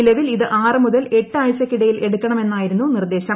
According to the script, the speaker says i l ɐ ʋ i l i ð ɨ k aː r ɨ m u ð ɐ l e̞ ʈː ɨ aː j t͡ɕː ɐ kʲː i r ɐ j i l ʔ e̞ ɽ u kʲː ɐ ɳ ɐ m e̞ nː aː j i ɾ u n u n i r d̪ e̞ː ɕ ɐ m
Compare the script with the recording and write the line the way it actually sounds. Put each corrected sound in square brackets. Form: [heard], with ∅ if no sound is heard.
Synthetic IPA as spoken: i l ɐ ʋ i l i ð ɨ [ʔ] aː r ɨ m u ð ɐ l e̞ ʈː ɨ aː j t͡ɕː ɐ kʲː i [ɽ] ɐ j i l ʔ e̞ ɽ u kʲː ɐ ɳ ɐ m e̞ nː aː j i ɾ u [nː] u n i r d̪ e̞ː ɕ ɐ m